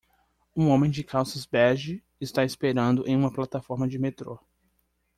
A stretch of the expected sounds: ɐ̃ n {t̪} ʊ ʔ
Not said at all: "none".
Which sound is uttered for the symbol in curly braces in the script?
d̪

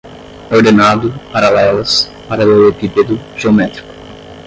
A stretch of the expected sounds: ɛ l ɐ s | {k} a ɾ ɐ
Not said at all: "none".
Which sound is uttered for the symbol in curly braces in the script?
p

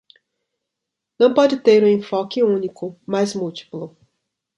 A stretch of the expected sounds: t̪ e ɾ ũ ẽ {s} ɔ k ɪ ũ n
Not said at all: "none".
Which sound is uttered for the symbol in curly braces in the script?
f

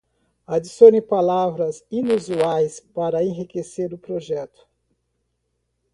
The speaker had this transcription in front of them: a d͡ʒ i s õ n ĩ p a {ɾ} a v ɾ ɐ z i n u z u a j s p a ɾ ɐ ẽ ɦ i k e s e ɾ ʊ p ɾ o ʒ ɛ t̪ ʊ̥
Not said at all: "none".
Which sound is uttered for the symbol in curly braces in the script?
l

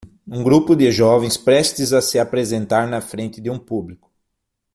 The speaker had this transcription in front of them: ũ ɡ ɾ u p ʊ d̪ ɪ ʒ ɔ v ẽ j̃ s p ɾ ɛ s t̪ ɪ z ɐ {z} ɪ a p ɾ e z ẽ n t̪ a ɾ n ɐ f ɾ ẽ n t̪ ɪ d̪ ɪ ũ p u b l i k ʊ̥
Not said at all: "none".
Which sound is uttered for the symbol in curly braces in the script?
s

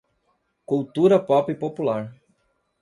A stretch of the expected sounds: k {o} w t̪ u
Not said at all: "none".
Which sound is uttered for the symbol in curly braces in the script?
u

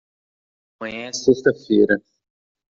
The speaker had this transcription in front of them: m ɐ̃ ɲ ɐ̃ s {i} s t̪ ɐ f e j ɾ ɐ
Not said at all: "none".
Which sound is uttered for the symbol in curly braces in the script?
e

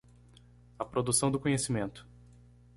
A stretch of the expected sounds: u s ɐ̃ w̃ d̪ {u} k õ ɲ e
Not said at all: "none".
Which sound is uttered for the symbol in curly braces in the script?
ʊ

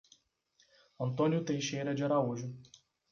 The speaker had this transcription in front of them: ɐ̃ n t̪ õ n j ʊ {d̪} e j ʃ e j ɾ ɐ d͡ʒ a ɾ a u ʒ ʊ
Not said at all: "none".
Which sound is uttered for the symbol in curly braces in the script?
t̪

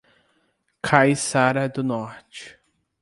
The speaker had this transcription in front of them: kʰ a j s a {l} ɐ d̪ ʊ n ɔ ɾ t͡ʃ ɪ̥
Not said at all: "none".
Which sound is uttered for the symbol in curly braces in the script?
ɾ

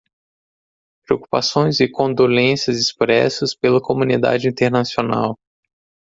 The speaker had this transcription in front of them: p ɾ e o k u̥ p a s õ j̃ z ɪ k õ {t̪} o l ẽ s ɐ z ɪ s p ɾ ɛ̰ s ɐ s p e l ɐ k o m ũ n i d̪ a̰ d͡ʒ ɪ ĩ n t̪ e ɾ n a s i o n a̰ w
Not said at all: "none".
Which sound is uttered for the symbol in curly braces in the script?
d̪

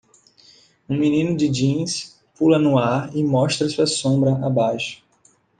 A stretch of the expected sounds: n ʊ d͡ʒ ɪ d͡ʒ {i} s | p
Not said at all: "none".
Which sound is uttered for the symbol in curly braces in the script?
ĩ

